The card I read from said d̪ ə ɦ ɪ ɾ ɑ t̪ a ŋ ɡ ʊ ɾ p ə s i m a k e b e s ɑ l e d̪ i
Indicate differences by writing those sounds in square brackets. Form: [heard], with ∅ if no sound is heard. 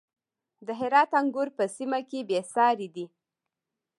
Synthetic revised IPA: d̪ ə ɦ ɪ ɾ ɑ t̪ a ŋ ɡ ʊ ɾ p ə s i m a k e b e s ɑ [ɾ] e d̪ i